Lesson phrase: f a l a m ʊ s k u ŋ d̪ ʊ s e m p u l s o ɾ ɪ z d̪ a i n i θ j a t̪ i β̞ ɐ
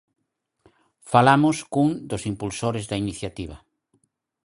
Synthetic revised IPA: f a l a m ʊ s k u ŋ d̪ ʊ s i m p u l s o ɾ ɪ z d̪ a i n i θ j a t̪ i β̞ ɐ